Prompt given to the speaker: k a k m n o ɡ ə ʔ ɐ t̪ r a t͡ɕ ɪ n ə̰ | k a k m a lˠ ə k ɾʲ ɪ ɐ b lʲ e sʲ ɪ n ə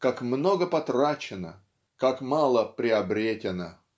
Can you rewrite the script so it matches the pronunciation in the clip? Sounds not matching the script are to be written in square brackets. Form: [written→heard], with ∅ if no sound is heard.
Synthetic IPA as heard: k a k m n o ɡ ə [ʔ→p] ɐ t̪ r a t͡ɕ ɪ n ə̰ | k a k m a lˠ ə [k→p] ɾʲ ɪ ɐ b [lʲ→ɾʲ] e [sʲ→tʲ] ɪ n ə